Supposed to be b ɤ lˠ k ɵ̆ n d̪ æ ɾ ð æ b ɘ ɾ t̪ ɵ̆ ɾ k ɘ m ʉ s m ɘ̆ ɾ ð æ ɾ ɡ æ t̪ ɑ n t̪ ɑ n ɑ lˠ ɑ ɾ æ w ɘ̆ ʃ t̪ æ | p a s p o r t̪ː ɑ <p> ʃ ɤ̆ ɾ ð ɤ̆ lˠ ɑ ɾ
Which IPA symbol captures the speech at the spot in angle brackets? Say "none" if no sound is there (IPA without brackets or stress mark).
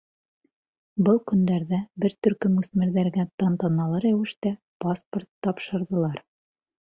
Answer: p